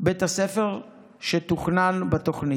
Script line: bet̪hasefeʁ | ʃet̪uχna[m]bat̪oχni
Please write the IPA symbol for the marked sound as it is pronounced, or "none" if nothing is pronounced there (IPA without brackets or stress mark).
n